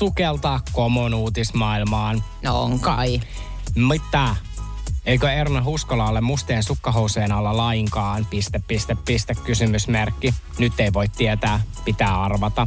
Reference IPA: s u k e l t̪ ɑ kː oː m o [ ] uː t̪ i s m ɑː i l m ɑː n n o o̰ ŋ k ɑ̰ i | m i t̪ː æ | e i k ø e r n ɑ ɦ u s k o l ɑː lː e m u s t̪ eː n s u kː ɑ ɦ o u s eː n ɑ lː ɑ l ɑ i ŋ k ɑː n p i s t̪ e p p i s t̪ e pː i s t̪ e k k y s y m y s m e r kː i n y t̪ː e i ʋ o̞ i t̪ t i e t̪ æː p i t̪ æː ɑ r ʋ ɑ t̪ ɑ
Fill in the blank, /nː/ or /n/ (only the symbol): n